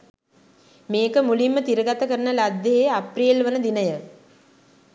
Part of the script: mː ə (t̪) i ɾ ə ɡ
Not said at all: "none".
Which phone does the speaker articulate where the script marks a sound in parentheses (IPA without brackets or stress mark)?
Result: t̪